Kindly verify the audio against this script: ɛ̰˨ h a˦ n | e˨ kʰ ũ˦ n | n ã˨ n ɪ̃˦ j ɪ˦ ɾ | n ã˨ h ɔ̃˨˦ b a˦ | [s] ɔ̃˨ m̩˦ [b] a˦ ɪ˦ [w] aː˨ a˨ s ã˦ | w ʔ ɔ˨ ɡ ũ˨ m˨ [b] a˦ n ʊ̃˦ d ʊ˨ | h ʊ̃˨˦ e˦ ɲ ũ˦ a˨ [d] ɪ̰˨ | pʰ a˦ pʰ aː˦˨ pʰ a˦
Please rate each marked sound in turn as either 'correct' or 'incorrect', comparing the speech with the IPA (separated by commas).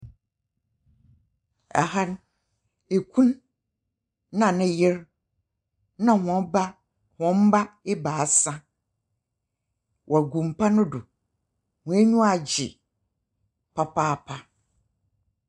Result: incorrect, correct, incorrect, incorrect, incorrect